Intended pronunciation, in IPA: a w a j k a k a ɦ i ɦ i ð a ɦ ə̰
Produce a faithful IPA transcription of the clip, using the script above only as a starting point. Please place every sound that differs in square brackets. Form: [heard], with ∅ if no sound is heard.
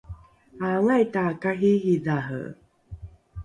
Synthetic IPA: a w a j [t] a k a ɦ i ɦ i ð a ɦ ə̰